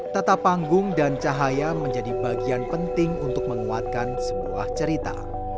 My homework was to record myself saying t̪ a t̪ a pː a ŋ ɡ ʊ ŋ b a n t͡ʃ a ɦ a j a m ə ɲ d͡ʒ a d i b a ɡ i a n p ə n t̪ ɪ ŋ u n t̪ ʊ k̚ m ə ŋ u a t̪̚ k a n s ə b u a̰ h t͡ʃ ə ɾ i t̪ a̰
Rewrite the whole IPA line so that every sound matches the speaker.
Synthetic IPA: t̪ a t̪ a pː a ŋ ɡ ʊ ŋ d a n t͡ʃ a ɦ a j a m ə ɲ d͡ʒ a d i b a ɡ i a n p ə n t̪ ɪ ŋ u n t̪ ʊ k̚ m ə ŋ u a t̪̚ k a n s ə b u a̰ h t͡ʃ ə ɾ i t̪ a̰